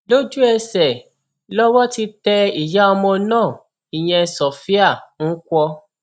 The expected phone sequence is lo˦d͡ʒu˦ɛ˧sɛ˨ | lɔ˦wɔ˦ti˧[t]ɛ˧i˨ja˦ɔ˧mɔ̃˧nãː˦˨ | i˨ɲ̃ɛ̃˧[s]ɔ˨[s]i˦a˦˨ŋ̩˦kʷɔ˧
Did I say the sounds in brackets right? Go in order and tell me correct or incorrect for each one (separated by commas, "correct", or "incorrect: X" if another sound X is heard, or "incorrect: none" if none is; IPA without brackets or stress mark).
correct, correct, incorrect: f